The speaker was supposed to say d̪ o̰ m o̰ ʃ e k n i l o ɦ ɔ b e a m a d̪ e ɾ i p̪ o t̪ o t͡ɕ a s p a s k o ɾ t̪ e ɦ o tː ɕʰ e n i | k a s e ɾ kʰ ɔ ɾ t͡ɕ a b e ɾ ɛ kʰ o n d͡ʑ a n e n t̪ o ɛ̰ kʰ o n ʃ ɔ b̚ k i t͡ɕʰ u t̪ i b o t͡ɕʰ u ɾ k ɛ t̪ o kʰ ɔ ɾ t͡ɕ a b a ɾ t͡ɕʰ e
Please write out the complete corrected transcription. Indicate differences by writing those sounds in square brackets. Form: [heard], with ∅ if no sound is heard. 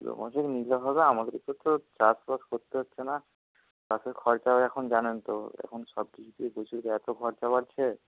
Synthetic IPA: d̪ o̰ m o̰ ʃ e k n i l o ɦ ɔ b e a m a d̪ e ɾ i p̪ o t̪ o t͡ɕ a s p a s k o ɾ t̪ e ɦ o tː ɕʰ e n [a] | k a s e ɾ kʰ ɔ ɾ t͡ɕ a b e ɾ ɛ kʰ o n d͡ʑ a n e n t̪ o ɛ̰ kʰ o n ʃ ɔ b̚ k i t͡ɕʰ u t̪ i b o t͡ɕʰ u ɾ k ɛ t̪ o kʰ ɔ ɾ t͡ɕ a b a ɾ t͡ɕʰ e